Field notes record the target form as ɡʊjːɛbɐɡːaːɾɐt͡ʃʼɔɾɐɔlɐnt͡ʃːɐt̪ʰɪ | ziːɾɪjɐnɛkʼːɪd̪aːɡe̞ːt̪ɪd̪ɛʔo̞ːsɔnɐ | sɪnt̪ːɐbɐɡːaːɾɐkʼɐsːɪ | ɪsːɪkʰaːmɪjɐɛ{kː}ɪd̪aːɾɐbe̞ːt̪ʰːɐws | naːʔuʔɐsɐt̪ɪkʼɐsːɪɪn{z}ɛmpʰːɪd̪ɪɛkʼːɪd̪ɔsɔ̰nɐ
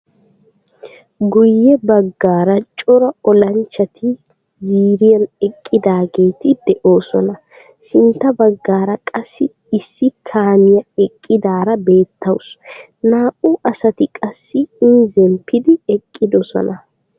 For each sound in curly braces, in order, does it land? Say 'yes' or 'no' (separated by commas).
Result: no, yes